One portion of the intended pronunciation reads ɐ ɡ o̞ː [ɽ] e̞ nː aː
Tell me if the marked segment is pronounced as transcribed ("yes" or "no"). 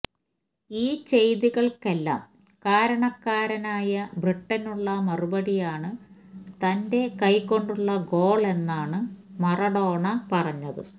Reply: no